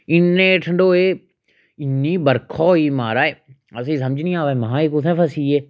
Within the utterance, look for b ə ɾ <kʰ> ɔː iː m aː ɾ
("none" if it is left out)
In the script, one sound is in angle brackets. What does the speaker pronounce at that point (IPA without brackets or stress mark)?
kʰ